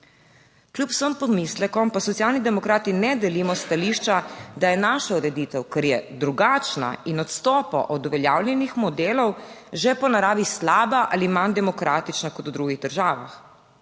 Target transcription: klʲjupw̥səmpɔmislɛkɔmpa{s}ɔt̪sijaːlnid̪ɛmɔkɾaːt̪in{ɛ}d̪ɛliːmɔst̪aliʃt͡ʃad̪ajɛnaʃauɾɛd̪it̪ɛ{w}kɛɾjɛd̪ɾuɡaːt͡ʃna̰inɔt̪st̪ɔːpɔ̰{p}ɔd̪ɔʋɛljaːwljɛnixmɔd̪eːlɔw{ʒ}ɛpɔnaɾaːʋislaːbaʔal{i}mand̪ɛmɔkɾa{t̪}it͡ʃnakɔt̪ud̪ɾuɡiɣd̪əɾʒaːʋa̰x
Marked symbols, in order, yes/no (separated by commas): yes, yes, yes, no, yes, yes, yes